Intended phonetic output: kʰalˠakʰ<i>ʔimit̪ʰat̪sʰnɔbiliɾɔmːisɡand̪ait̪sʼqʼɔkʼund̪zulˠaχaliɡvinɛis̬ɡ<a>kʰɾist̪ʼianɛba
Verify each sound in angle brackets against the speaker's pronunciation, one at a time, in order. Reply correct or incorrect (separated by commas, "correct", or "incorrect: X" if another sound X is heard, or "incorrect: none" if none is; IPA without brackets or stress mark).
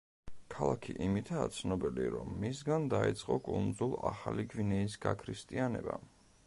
correct, correct